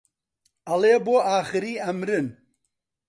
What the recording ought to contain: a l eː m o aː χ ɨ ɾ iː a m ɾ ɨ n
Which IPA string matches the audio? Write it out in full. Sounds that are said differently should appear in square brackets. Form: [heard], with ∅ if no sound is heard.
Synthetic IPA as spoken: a l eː [b] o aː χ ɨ ɾ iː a m ɾ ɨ n